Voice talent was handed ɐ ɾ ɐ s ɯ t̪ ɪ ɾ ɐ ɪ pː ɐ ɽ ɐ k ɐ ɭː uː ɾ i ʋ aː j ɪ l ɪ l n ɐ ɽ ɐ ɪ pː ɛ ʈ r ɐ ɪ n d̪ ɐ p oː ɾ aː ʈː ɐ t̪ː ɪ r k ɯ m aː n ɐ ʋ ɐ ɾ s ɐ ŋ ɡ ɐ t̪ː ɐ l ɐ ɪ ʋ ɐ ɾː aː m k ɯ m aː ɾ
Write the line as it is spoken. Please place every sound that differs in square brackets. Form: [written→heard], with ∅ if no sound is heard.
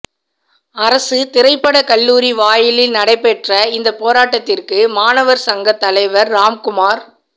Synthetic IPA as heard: ɐ ɾ ɐ s ɯ t̪ ɪ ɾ ɐ ɪ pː ɐ ɽ ɐ k ɐ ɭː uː ɾ i ʋ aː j ɪ l ɪ l n ɐ ɽ ɐ ɪ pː ɛ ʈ r ɐ ɪ n d̪ ɐ p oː ɾ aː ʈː ɐ t̪ː ɪ r k ɯ m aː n ɐ ʋ ɐ ɾ s ɐ ŋ ɡ ɐ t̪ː ɐ l ɐ ɪ ʋ ɐ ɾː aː m k [ɯ→ʊ] m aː ɾ

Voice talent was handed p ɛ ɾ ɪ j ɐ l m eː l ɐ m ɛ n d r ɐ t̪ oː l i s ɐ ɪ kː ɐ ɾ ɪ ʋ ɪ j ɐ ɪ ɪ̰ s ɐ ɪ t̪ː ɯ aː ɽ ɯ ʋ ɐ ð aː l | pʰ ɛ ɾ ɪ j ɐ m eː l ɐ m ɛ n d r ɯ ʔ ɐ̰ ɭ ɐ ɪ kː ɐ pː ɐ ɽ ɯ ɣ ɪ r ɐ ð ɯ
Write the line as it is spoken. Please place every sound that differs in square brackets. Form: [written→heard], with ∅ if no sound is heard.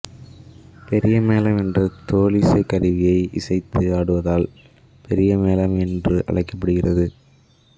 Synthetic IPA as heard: p ɛ ɾ ɪ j ɐ [l→∅] m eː l ɐ m ɛ n d r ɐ t̪ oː l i s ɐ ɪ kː ɐ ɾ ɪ ʋ ɪ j ɐ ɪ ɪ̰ s ɐ ɪ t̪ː ɯ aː ɽ ɯ ʋ ɐ ð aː l | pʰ ɛ ɾ ɪ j ɐ m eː l ɐ m ɛ n d r ɯ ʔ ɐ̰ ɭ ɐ ɪ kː ɐ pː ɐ ɽ ɯ ɣ ɪ r ɐ ð ɯ

